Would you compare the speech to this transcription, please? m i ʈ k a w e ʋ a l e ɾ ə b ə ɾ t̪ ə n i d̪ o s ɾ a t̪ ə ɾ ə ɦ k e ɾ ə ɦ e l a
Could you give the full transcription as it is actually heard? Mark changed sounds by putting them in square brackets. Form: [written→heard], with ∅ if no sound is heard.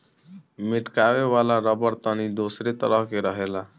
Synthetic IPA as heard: m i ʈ k a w e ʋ a l [e→a] ɾ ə b ə ɾ t̪ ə n i d̪ o s ɾ [a→e] t̪ ə ɾ ə ɦ k e ɾ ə ɦ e l a

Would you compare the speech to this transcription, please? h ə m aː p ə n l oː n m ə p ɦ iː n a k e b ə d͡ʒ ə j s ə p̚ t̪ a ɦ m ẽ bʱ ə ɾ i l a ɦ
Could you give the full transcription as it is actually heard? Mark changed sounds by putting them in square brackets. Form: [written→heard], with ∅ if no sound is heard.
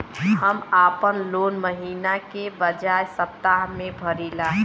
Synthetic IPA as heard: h ə m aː p ə n l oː n m ə [p→∅] ɦ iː n a k e b ə d͡ʒ [ə→a] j s ə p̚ t̪ a ɦ m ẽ bʱ ə ɾ i l a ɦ

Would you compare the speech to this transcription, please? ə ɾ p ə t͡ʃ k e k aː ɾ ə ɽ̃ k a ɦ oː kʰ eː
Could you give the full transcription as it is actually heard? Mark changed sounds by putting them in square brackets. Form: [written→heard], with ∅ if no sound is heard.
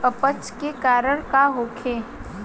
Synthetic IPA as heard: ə [ɾ→∅] p ə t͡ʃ k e k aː ɾ ə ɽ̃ k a ɦ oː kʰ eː

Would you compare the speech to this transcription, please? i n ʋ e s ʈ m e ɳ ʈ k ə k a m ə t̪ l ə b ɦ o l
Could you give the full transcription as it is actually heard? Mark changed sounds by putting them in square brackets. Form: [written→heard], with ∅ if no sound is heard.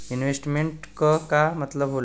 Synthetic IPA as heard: i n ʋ e s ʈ m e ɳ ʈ k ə k a m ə t̪ l ə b ɦ o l

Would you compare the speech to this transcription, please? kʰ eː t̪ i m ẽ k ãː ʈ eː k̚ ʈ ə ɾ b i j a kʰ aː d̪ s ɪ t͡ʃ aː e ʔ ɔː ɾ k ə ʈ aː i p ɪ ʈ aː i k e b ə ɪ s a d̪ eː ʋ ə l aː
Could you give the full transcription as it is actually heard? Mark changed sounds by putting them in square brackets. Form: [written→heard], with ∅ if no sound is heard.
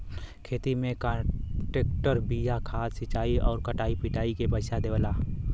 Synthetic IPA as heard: kʰ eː t̪ i m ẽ k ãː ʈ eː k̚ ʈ ə ɾ b i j a kʰ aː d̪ s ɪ t͡ʃ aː [e→i] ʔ ɔː ɾ k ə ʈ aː i p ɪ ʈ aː i k e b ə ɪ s a d̪ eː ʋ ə l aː

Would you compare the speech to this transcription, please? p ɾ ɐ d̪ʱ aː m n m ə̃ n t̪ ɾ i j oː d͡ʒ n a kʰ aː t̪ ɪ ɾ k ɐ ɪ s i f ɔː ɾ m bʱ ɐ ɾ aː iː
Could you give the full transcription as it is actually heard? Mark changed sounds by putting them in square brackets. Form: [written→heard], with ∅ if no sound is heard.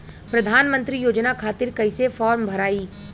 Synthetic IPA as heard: p ɾ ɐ d̪ʱ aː [m→∅] n m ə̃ n t̪ ɾ i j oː d͡ʒ n a kʰ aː t̪ ɪ ɾ k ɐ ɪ s [i→e] f ɔː ɾ m bʱ ɐ ɾ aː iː

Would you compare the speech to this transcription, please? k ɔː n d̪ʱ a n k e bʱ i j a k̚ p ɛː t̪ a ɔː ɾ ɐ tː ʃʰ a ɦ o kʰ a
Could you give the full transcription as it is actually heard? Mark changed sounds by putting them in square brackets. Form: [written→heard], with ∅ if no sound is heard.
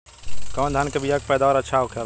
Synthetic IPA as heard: k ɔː n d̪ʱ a n k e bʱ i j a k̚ p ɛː [t̪→d̪] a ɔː ɾ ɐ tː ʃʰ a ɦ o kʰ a

